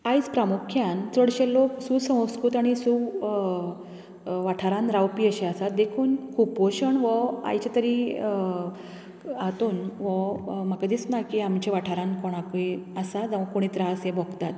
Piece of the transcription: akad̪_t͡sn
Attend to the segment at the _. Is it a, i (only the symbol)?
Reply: i